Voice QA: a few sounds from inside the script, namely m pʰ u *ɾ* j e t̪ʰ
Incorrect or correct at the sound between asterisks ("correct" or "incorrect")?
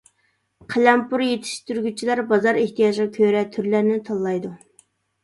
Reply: correct